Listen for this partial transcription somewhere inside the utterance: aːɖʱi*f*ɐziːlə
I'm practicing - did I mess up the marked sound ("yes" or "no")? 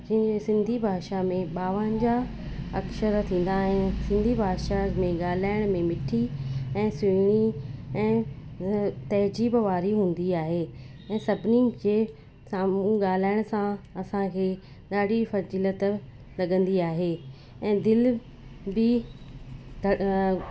no